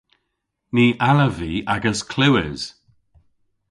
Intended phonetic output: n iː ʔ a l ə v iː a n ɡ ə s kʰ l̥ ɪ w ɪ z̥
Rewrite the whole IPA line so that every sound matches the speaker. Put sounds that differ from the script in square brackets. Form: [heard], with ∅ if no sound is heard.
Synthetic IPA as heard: n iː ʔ a l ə v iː a [∅] ɡ ə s kʰ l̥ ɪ w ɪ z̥